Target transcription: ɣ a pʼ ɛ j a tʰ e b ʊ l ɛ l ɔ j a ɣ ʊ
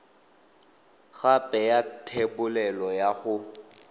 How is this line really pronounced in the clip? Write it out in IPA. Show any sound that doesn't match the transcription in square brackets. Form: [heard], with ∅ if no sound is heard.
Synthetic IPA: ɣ a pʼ ɛ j a tʰ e b ʊ l ɛ l ɔ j a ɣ ʊ